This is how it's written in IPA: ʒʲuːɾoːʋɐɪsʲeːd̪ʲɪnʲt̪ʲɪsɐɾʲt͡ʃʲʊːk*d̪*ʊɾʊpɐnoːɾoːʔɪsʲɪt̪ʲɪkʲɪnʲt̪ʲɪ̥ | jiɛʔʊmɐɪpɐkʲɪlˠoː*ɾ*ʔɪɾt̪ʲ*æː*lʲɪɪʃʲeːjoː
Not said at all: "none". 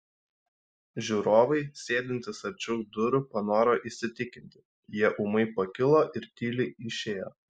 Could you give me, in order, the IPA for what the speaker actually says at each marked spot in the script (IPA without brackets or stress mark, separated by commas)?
d̪, none, iː